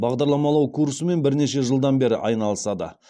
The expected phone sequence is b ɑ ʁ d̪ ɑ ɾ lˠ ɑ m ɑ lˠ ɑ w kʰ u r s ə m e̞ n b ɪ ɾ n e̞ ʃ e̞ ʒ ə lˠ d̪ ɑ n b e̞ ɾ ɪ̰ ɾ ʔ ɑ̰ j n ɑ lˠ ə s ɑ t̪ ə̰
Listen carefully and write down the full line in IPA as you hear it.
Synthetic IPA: b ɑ ʁ d̪ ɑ ɾ lˠ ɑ m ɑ lˠ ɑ w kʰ u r s ə m e̞ n b ɪ ɾ n e̞ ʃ e̞ ʒ ə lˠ d̪ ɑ n b e̞ ɾ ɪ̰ ʔ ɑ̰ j n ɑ lˠ ə s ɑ d̪ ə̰